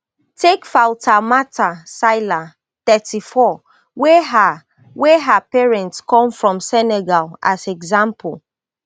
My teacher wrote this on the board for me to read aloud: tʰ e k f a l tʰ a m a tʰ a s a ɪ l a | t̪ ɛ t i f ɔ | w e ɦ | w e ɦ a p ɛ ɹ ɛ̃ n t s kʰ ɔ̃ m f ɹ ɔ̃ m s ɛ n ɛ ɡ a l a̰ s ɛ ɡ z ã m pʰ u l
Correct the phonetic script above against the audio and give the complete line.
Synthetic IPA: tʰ e k f a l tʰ a m a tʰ a s a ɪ l a | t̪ ɛ t i f ɔ | w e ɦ | w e ɦ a p ɛ ɹ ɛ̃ n t s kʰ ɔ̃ m f ɹ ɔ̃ m s ɛ n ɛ ɡ a l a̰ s ɛ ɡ z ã m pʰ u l